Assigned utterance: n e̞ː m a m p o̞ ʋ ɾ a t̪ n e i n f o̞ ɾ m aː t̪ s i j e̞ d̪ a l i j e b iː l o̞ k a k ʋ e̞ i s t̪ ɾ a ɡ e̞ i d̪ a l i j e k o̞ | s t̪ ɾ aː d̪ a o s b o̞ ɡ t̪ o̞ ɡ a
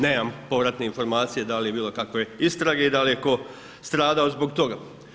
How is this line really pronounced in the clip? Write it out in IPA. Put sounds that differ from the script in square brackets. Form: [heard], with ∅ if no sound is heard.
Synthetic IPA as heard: n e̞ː m a m p o̞ ʋ ɾ a t̪ n e i n f o̞ ɾ m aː t̪ s i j e̞ d̪ a l i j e b iː l o̞ k a k ʋ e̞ i s t̪ ɾ a ɡ e̞ i d̪ a l i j e k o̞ | s t̪ ɾ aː d̪ a o [z] b o̞ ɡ t̪ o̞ ɡ a